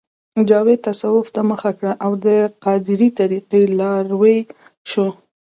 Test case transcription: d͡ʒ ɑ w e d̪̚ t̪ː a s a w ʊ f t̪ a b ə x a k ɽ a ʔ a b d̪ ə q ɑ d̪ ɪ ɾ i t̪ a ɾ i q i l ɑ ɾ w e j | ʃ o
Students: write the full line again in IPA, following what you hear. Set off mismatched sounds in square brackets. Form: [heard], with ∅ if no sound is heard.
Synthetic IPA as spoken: d͡ʒ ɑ w e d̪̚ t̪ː a s a w ʊ f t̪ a [m] ə x a k ɽ a ʔ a [w] d̪ ə q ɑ d̪ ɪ ɾ i t̪ a ɾ i q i l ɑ ɾ w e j | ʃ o

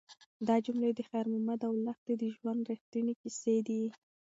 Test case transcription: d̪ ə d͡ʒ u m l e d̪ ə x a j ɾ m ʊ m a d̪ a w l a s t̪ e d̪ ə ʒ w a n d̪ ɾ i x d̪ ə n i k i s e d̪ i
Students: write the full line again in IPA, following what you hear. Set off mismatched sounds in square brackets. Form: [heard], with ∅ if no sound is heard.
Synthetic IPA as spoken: d̪ [ɑ] d͡ʒ u m l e d̪ ə x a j ɾ m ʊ m a d̪ a w l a [x] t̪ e d̪ ə ʒ w a n d̪ ɾ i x [t̪] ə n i k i s e d̪ i

